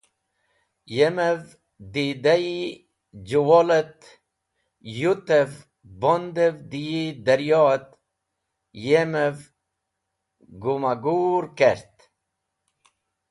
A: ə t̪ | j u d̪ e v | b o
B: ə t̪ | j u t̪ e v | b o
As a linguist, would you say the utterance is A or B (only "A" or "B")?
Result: B